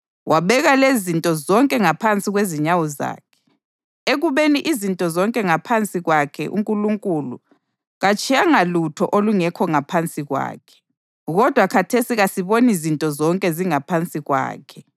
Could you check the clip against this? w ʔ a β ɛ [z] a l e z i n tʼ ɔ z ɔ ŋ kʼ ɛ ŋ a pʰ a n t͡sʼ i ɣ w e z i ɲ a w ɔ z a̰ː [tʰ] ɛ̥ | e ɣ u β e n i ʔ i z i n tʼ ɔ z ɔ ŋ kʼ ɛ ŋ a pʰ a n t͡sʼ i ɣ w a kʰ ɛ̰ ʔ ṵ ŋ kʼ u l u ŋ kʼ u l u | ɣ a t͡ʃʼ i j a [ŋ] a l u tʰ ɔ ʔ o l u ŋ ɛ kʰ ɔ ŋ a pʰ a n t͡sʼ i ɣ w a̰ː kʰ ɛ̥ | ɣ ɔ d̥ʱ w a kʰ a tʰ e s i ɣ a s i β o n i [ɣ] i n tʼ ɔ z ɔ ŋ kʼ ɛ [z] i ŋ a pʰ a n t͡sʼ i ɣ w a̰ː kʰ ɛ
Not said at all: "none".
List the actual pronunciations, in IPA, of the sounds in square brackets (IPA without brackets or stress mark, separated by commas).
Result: ɣ, kʰ, ŋ, z, z